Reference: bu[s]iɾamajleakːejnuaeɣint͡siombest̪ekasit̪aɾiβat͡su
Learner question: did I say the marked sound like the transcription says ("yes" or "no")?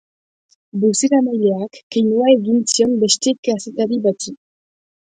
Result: yes